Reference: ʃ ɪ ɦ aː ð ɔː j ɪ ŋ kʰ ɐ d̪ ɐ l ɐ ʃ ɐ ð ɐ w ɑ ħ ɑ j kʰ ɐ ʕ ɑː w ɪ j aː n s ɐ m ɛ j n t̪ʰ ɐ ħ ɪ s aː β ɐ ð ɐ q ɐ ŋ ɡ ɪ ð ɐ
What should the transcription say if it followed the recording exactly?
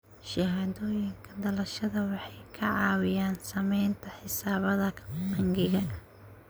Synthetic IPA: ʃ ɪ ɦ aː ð ɔː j ɪ ŋ kʰ ɐ d̪ ɐ l ɐ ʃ ɐ ð ɐ w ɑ ħ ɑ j kʰ ɐ ʕ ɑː w ɪ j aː n s ɐ m ɛ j n t̪ʰ ɐ ħ ɪ s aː β ɐ ð ɐ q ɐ ŋ ɡ ɪ ɣ ɐ